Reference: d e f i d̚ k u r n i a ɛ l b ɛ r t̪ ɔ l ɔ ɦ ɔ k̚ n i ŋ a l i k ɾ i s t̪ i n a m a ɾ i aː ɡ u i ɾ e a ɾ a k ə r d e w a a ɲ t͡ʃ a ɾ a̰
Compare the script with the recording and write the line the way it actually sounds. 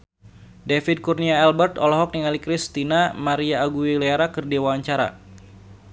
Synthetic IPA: d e f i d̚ k u r n i a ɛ l b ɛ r t̪ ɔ l ɔ ɦ ɔ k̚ n i ŋ a l i k ɾ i s t̪ i n a m a ɾ i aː ɡ u i l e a ɾ a k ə r d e w a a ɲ t͡ʃ a ɾ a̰

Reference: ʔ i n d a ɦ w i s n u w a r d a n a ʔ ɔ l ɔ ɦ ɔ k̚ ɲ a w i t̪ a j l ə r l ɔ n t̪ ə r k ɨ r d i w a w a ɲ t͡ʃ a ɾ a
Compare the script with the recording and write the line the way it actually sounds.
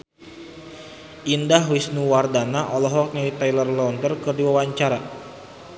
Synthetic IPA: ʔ i n d a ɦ w i s n u w a r d a n a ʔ ɔ l ɔ ɦ ɔ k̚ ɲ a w i t̪ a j l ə r l ɔ n t̪ ə r k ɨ r d i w a w a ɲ t͡ʃ a ɾ a

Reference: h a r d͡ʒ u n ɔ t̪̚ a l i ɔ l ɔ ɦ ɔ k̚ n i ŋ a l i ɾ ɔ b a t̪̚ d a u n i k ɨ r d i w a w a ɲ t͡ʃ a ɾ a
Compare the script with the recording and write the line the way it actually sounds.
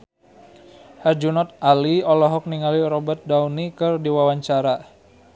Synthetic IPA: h a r d͡ʒ u n ɔ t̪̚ a l i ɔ l ɔ ɦ ɔ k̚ n i ŋ a l i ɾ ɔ b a t̪̚ d a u n i k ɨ r d i w a w a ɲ t͡ʃ a ɾ a

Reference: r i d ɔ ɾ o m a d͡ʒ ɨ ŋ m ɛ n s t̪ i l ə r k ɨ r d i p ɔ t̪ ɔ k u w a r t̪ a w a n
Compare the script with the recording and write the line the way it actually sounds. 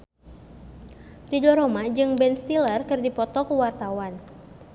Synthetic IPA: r i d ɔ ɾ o m a d͡ʒ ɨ ŋ b ɛ n s t̪ i l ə r k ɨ r d i p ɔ t̪ ɔ k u w a r t̪ a w a n

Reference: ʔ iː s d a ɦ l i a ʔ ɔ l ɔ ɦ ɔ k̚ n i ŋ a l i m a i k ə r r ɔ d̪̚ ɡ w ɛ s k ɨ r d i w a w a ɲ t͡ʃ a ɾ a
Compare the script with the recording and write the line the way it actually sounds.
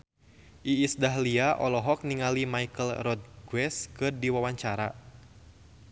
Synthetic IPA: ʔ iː s d a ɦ l i a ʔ ɔ l ɔ ɦ ɔ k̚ n i ŋ a l i m a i k ə l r ɔ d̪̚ ɡ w ɛ s k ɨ r d i w a w a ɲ t͡ʃ a ɾ a

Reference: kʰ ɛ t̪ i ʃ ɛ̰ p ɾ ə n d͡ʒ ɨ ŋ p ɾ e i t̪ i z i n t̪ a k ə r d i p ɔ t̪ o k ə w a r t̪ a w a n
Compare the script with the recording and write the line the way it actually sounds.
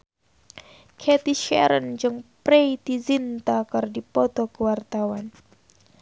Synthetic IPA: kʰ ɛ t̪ i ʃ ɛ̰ ɾ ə n d͡ʒ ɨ ŋ p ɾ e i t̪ i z i n t̪ a k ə r d i p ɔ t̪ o k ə w a r t̪ a w a n

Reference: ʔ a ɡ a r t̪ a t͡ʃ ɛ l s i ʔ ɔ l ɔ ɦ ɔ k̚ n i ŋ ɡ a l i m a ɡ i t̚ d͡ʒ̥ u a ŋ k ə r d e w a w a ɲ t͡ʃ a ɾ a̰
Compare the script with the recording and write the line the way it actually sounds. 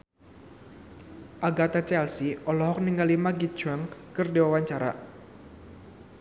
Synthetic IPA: ʔ a ɡ a t̪ a t͡ʃ ɛ l s i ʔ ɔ l ɔ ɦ ɔ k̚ n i ŋ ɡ a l i m a ɡ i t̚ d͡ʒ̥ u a ŋ k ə r d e w a w a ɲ t͡ʃ a ɾ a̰

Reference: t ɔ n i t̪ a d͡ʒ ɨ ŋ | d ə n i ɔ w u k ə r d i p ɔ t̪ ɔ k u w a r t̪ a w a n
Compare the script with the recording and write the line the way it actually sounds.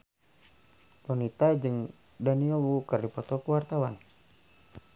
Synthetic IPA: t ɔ n i t̪ a d͡ʒ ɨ ŋ | d a n i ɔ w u k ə r d i p ɔ t̪ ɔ k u w a r t̪ a w a n

